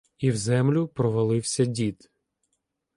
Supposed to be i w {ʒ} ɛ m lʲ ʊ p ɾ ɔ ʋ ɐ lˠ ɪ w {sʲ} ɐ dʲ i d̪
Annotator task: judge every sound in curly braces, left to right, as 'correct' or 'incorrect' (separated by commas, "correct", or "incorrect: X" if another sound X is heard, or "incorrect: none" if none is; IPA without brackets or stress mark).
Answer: incorrect: z, correct